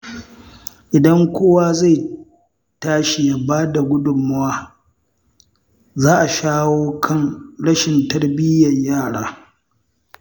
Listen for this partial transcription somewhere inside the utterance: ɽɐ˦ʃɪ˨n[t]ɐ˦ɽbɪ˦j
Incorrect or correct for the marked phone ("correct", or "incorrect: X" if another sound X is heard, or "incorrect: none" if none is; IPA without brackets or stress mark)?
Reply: correct